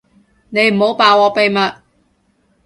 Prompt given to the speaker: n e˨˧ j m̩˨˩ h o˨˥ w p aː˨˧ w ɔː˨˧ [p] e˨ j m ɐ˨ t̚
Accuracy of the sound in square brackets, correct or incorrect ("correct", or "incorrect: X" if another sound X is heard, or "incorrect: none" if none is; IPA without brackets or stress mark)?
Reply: correct